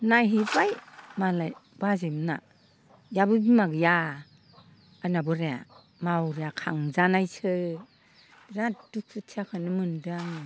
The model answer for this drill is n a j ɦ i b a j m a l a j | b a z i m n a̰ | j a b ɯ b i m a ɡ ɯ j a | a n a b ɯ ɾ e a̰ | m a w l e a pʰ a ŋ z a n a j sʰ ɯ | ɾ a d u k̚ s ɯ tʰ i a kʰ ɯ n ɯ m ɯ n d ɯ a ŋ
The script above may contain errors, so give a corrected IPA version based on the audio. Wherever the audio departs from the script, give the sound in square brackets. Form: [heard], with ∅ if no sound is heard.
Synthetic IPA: n a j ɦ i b a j m a l a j | b a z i m n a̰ | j a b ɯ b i m a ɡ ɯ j a | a n a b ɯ ɾ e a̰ | m a w [ɾ] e a [kʰ] a ŋ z a n a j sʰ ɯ | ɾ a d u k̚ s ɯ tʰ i a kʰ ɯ n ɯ m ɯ n d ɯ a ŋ